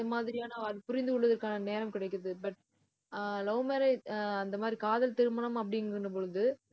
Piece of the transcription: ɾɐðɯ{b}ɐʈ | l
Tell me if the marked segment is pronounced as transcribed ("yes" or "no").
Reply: yes